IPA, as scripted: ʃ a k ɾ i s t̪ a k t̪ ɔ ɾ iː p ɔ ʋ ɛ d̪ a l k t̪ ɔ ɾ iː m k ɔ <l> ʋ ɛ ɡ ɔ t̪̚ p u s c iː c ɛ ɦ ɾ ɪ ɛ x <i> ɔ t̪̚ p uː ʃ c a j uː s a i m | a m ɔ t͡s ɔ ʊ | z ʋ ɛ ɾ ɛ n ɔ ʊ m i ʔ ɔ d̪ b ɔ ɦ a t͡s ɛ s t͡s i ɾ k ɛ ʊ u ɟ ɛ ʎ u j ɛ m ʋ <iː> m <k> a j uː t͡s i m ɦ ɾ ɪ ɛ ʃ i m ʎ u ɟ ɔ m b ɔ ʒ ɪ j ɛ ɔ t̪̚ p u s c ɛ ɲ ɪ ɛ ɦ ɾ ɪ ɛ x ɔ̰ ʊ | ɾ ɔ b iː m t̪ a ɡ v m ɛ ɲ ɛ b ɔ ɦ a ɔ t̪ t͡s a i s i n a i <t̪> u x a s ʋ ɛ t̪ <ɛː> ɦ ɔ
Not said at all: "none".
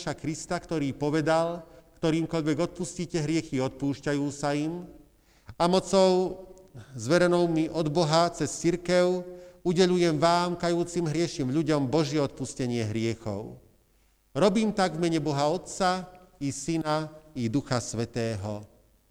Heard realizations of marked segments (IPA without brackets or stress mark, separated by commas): ʎ, i, aː, k, d̪, ɛː